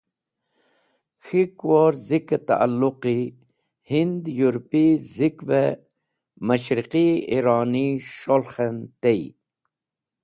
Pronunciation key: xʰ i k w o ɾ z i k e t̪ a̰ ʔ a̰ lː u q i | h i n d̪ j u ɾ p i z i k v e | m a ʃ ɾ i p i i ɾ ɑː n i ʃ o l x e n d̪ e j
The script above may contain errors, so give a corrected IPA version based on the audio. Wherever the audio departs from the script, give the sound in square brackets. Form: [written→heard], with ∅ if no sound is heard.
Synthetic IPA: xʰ i k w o ɾ z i k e t̪ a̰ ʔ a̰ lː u q i | h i n d̪ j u ɾ p i z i k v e | m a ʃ ɾ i [p→q] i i ɾ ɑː n i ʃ o l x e n [d̪→t̪] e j